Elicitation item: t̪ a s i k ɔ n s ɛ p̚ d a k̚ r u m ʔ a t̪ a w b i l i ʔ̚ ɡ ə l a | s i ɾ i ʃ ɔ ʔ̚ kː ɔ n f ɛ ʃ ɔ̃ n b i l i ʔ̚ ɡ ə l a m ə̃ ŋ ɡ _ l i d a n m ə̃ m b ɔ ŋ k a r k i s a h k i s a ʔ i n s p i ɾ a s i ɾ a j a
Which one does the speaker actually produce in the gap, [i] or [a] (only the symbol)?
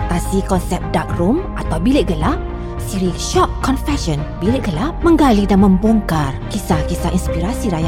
a